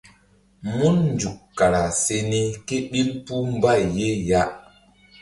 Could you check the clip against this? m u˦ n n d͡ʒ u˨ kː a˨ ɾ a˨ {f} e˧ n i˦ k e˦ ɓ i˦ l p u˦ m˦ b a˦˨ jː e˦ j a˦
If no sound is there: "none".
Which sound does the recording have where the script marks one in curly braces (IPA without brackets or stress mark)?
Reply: s